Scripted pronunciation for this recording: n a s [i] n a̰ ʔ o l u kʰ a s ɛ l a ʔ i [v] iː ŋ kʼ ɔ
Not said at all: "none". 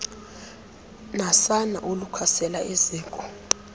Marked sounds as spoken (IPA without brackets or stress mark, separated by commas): a, z